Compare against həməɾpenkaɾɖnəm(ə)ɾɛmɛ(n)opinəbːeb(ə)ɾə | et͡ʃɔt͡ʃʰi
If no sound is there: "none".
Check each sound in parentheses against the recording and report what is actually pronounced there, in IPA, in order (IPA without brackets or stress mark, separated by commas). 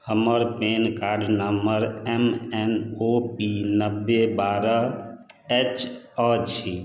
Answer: ə, n, a